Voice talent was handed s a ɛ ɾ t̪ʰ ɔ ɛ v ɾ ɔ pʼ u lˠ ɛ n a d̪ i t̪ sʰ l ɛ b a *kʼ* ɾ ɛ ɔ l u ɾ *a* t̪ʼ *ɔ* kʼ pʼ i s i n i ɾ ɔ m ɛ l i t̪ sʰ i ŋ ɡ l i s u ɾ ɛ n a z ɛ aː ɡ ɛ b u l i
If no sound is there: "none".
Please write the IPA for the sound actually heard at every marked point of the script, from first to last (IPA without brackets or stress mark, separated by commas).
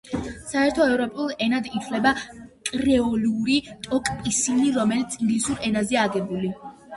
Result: kʼ, i, ɔ